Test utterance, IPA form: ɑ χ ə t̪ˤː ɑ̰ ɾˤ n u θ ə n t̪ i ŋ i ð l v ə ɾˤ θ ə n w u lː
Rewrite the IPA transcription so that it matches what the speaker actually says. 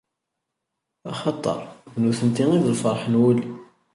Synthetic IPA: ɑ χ ɑ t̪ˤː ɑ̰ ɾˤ n u θ ə n t̪ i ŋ i ð l f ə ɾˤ ħ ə n w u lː